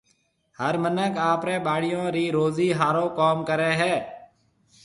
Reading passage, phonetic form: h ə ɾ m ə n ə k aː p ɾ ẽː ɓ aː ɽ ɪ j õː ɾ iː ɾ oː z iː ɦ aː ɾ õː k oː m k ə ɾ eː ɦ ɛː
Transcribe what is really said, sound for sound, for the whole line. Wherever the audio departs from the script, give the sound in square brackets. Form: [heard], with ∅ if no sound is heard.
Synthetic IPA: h ə ɾ m ə n ə k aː p ɾ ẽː ɓ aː ɽ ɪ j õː ɾ iː ɾ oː z iː ɦ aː ɾ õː k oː m k ə ɾ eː ɦ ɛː